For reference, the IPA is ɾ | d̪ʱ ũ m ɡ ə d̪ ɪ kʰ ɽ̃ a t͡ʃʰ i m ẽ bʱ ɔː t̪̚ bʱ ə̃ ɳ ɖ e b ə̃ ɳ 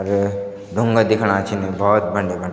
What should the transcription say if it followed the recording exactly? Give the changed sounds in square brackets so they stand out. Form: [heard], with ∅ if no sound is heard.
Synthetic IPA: ɾ | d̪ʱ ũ [ŋ] ɡ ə d̪ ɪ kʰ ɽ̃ a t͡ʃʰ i [n] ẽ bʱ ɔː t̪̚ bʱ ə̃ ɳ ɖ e b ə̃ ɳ